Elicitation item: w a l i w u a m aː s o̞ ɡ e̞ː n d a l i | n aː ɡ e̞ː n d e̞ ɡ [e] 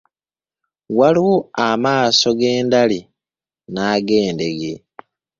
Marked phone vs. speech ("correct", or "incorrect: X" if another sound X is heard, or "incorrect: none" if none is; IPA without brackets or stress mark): correct